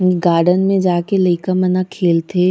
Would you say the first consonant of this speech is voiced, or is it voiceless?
voiced